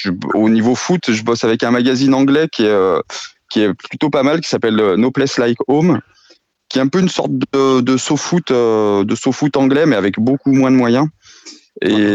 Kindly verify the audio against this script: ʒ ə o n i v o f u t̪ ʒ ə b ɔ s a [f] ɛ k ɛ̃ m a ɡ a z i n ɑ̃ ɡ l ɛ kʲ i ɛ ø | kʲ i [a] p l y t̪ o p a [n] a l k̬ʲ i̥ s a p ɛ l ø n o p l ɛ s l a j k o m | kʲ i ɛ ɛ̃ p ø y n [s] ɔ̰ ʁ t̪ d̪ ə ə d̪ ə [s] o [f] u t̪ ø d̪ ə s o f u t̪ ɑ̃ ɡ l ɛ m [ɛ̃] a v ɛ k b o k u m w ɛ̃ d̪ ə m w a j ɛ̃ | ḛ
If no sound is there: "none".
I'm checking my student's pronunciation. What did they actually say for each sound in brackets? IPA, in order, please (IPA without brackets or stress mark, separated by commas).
v, ɛ, m, s, s, f, ɛ